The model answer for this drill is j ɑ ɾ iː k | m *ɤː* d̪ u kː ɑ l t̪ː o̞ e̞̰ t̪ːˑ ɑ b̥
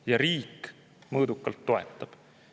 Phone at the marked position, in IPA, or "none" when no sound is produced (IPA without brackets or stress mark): ɤː